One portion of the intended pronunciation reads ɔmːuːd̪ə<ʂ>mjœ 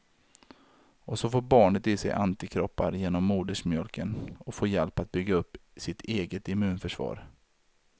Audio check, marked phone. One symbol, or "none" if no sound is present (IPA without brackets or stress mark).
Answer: ʂ